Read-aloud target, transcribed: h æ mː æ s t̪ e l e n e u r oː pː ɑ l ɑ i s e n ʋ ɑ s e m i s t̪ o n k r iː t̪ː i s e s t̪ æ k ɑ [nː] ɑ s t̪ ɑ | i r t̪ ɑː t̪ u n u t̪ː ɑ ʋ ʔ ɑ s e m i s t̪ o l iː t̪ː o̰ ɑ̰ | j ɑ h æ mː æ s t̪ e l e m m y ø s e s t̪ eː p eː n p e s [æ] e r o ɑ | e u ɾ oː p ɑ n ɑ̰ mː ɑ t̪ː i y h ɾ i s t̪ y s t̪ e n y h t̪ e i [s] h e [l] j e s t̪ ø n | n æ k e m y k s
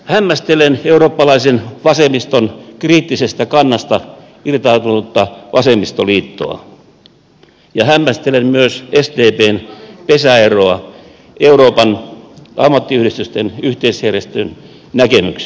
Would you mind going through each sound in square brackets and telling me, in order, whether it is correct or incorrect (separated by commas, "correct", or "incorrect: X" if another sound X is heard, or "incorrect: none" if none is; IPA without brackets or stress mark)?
correct, correct, correct, incorrect: r